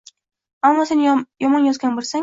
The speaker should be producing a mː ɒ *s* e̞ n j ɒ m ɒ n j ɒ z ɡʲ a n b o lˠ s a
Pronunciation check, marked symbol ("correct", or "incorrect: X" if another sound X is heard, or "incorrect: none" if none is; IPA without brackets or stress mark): correct